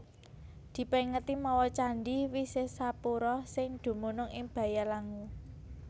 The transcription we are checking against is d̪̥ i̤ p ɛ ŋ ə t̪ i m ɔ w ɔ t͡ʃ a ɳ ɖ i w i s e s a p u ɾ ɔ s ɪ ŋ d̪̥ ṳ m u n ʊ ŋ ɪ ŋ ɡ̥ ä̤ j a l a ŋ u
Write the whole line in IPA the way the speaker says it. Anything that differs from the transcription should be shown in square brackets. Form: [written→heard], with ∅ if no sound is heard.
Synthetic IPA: d̪̥ i̤ p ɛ ŋ ə t̪ i m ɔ w ɔ t͡ʃ a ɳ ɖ i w i s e s a p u ɾ ɔ s ɪ ŋ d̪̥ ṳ m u n ʊ ŋ ɪ ŋ [ɡ̥→b̥] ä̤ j a l a ŋ u